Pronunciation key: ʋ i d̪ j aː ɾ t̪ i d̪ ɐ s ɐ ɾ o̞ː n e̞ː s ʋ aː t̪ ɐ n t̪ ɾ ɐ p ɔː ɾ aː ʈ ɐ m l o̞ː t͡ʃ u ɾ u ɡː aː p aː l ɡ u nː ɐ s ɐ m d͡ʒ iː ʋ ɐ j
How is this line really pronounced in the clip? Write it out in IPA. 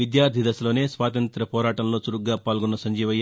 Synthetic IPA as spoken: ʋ i d̪ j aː ɾ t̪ i d̪ ɐ s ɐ l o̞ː n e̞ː s ʋ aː t̪ ɐ n t̪ ɾ ɐ p ɔː ɾ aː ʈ ɐ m l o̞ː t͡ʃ u ɾ u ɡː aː p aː l ɡ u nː ɐ s ɐ ɲ d͡ʒ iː ʋ ɐ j

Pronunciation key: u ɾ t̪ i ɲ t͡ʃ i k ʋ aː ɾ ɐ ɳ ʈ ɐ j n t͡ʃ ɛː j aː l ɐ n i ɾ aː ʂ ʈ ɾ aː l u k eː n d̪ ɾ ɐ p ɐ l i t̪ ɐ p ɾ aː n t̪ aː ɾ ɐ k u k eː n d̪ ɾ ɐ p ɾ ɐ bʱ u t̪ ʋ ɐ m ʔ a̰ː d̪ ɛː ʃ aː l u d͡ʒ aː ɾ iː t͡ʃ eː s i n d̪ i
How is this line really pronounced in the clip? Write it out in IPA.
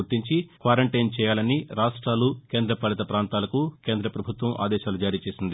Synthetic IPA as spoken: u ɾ t̪ i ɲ t͡ʃ i k ʋ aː ɾ ɐ ɳ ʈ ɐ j n t͡ʃ ɛː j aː l ɐ n i ɾ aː ʂ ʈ ɾ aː l u k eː n d̪ ɾ ɐ p ɐ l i t̪ ɐ p ɾ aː n t̪ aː l ɐ k u k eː n d̪ ɾ ɐ p ɾ ɐ bʱ u t̪ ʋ ɐ m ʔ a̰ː d̪ ɛː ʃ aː l u d͡ʒ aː ɾ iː t͡ʃ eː s i n d̪ i

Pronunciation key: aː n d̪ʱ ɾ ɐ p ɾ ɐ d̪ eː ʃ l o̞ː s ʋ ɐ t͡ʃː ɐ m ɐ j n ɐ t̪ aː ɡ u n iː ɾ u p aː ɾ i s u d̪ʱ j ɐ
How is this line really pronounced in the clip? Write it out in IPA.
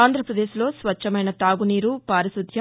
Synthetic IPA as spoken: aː n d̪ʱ ɾ ɐ p ɾ ɐ d̪ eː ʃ l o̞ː s ʋ ɐ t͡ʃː ɐ m ɐ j n ɐ t̪ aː ɡ u n iː ɾ u p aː ɾ i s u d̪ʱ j ɐ

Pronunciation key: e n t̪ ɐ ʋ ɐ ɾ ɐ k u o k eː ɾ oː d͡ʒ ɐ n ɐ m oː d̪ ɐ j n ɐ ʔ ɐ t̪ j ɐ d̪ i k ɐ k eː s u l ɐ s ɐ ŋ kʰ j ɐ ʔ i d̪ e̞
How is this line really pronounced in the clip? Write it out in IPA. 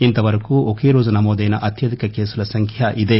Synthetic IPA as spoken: i n t̪ ɐ ʋ ɐ ɾ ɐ k u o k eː ɾ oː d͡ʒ ɐ n ɐ m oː d̪ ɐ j n ɐ ʔ ɐ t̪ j ɐ d̪ i k ɐ k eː s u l ɐ s ɐ ŋ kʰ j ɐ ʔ i d̪ e̞

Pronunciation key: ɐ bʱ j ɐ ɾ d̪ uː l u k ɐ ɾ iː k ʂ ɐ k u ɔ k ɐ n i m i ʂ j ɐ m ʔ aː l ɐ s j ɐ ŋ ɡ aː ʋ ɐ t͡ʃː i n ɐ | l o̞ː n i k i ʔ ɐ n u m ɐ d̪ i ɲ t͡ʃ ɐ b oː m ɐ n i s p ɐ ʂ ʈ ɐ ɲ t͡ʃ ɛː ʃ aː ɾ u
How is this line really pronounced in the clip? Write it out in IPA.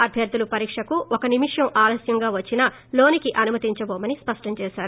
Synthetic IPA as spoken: ɐ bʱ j ɐ ɾ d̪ u l u p ɐ ɾ iː k ʂ ɐ k u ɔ k ɐ n i m i ʂ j ɐ m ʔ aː l ɐ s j ɐ ŋ ɡ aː ʋ ɐ t͡ʃː i n ɐ | l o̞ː n i k i ʔ ɐ n u m ɐ t̪ i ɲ t͡ʃ ɐ b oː m ɐ n i s p ɐ ʂ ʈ ɐ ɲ t͡ʃ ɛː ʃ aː ɾ u

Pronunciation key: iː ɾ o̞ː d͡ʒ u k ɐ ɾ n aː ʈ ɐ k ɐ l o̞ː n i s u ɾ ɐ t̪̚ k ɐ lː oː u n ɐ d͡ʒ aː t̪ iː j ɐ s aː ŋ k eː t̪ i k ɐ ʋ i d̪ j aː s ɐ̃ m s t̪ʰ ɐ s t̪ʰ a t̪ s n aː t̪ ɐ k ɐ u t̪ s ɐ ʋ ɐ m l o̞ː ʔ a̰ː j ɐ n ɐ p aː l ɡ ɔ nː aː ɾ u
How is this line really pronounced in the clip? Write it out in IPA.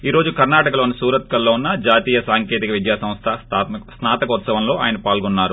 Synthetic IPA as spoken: iː ɾ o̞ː d͡ʒ u k ɐ ɾ n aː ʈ ɐ k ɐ l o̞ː n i s uː ɾ ɐ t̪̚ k ɐ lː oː u nː ɐ d͡ʒ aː t̪ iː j ɐ s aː ŋ k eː t̪ i k ɐ ʋ i d̪ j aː s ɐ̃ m s t̪ʰ ɐ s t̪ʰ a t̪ s n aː t̪ ɐ k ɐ u t̪ s ɐ ʋ ɐ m l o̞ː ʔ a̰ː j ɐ n ɐ p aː l ɡ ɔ nː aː ɾ u

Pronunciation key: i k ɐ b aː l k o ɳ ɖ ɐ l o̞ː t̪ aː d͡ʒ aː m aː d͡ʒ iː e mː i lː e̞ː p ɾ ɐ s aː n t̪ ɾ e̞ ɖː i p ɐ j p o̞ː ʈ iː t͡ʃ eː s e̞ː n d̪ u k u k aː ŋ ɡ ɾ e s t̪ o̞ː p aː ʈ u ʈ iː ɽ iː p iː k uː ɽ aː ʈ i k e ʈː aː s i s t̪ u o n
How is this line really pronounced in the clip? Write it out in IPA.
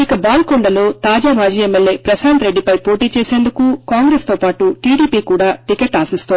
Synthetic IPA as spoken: i k ɐ b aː l k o ɳ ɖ ɐ l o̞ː t̪ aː d͡ʒ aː m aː d͡ʒ iː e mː e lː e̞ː p ɾ ɐ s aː n t̪ ɾ e̞ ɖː i p ɐ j p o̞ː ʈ iː t͡ʃ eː s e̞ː n d̪ u k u k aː ŋ ɡ ɾ e s t̪ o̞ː p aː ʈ u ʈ iː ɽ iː p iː k uː ɽ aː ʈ i k e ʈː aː s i s t̪ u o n

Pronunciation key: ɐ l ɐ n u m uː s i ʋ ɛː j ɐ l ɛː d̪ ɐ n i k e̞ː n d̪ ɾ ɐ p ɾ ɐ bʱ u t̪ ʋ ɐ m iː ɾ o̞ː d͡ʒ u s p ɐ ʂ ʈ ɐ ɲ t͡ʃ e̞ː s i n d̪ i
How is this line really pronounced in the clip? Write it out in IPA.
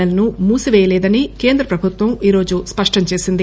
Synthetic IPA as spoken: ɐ l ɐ n u m uː s i ʋ ɛː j ɐ l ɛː d̪ ɐ n i k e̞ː n d̪ ɾ ɐ p ɾ ɐ bʱ u t̪ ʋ ɐ m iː ɾ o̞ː d͡ʒ u s p ɐ ʂ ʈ ɐ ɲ t͡ʃ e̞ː s i n d̪ i

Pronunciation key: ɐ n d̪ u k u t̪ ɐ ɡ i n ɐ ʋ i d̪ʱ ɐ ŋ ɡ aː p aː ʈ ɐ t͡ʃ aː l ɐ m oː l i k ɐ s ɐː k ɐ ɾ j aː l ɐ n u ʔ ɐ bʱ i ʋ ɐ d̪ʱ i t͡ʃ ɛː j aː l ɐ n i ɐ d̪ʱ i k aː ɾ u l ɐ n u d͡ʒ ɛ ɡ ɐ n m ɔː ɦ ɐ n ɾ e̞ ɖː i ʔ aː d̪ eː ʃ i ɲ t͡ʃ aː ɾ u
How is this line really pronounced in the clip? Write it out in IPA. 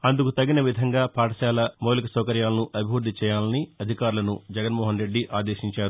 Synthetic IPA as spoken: ɐ n d̪ u k u t̪ ɐ ɡ i n ɐ ʋ i d̪ʱ ɐ ŋ ɡ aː p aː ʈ ɐ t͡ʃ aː l ɐ m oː l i k ɐ s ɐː k ɐ ɾ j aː l ɐ n u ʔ ɐ bʱ i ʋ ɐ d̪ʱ i t͡ʃ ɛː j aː l ɐ n i ɐ d̪ʱ i k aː ɾ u l ɐ n u d͡ʒ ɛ ɡ ɐ n m ɔː ɦ ɐ n ɾ e̞ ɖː i ʔ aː d̪ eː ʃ i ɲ t͡ʃ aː ɾ u

